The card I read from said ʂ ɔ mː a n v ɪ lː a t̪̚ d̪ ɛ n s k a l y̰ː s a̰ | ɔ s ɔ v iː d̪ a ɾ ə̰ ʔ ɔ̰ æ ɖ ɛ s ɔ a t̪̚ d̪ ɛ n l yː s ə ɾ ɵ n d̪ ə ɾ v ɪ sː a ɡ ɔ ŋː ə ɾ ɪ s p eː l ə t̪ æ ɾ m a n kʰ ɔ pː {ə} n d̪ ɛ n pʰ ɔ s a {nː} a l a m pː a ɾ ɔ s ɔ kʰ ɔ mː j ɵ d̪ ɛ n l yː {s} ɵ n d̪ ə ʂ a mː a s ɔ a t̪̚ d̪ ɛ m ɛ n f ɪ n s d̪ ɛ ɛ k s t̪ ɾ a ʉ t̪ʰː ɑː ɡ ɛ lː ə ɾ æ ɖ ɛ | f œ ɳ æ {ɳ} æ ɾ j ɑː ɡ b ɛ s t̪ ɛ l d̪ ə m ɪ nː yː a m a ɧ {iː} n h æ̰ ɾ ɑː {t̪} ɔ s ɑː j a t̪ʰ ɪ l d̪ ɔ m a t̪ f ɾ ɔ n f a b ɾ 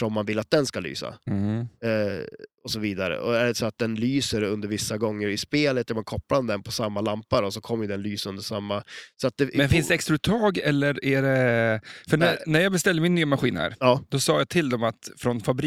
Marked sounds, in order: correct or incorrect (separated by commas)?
incorrect, incorrect, correct, incorrect, correct, incorrect